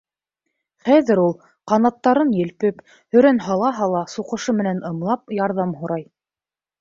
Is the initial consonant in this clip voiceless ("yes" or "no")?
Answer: yes